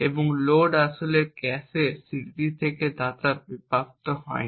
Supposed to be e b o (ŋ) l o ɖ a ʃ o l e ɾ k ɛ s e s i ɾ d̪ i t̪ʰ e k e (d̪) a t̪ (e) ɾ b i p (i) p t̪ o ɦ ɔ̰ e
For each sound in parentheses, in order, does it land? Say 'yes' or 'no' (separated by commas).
yes, yes, no, no